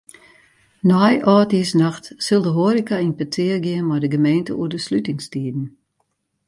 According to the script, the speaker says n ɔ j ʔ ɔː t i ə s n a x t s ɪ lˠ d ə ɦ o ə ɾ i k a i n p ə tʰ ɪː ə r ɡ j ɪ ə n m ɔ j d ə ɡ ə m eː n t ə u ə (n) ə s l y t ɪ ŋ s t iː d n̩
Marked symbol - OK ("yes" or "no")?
no